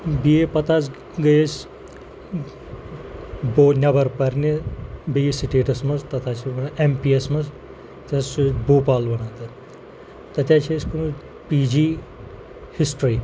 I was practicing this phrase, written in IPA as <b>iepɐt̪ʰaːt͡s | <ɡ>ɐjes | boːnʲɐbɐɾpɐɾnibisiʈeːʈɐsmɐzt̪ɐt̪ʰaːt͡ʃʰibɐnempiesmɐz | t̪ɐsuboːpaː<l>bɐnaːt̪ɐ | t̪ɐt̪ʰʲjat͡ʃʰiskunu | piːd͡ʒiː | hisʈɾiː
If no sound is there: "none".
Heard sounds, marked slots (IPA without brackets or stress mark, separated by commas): b, ɡ, l